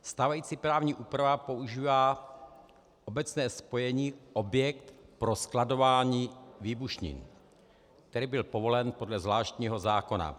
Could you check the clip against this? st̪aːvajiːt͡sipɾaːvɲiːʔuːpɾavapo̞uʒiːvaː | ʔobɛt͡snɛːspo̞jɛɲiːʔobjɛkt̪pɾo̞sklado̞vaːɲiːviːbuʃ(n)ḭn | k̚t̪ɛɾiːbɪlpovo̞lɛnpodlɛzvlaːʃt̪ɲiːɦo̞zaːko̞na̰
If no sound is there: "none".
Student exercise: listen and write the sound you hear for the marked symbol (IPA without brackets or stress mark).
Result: ɲ